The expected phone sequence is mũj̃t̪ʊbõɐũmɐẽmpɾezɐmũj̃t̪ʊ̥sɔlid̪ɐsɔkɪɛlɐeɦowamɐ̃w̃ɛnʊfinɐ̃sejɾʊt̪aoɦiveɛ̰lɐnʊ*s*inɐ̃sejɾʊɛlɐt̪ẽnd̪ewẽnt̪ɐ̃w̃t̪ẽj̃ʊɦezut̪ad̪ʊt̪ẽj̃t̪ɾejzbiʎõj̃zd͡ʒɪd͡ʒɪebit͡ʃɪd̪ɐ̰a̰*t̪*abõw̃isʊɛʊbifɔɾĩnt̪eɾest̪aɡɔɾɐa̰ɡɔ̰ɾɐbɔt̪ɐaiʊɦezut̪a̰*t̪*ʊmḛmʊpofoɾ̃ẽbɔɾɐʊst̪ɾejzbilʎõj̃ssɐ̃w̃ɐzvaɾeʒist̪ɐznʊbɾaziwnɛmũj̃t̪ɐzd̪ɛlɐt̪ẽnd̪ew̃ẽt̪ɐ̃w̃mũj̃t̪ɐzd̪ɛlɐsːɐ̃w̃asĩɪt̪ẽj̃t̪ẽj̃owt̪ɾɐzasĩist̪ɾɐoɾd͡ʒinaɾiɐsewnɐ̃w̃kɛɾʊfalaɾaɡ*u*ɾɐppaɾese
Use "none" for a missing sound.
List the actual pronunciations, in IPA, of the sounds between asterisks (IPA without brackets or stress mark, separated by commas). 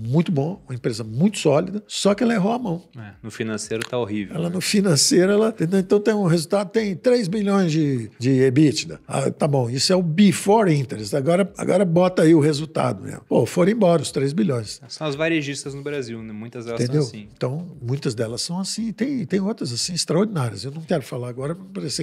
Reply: f, t̪, d̪, ɔ